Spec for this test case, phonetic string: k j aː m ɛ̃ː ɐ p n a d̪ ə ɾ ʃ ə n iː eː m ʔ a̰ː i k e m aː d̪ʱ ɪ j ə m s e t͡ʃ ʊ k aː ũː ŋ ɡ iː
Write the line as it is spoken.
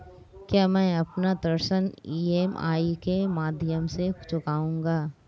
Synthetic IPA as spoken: k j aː m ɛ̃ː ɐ p n a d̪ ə ɾ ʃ ə n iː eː m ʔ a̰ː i k e m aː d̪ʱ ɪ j ə m s e t͡ʃ ʊ k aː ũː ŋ ɡ aː

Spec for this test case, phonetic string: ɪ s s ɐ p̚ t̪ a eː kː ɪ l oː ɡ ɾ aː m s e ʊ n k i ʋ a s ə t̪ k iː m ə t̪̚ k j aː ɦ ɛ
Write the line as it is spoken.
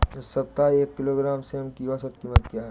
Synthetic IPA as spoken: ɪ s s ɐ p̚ t̪ a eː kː ɪ l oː ɡ ɾ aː m s e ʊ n k i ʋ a s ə t̪ k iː m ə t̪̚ k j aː ɦ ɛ

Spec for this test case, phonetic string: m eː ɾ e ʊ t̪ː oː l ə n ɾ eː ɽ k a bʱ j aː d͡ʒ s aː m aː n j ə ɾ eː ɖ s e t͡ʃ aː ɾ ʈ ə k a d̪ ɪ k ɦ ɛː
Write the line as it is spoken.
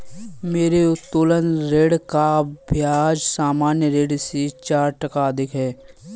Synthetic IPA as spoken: m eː ɾ e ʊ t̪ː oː l ə n ɾ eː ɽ k a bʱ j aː d͡ʒ s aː m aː n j ə ɾ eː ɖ s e t͡ʃ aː ɾ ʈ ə k a d̪ ɪ k ɦ ɛː

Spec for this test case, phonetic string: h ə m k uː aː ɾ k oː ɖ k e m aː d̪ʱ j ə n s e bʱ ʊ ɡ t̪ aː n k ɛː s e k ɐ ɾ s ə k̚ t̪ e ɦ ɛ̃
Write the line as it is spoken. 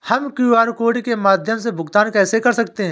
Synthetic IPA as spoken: h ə m k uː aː ɾ k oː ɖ k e m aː d̪ʱ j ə m s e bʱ ʊ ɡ t̪ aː n k ɛː s e k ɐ ɾ s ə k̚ t̪ e ɦ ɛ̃

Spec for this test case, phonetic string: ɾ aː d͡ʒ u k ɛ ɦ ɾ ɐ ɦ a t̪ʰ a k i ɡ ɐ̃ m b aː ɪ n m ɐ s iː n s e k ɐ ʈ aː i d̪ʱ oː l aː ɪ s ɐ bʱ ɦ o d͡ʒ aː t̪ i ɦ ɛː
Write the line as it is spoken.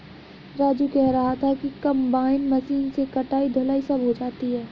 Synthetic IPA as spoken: ɾ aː d͡ʒ u k ɛ ɦ ɾ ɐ ɦ a t̪ʰ a k i k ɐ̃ m b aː ɪ n m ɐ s iː n s e k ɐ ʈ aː i d̪ʱ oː l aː i s ɐ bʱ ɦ o d͡ʒ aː t̪ i ɦ ɛː

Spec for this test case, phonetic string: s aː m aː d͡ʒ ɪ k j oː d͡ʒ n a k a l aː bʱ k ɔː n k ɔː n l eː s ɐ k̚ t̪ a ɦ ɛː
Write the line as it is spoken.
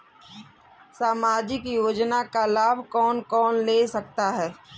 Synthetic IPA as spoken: s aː m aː d͡ʒ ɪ k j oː d͡ʒ n a k a l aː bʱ k ɔː n k ɔː n l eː s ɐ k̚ t̪ a ɦ ɛː

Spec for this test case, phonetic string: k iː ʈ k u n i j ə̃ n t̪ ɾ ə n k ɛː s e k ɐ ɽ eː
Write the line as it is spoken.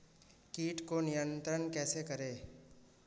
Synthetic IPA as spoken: k iː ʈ k o n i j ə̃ n t̪ ɾ ə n k ɛː s e k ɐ ɾ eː

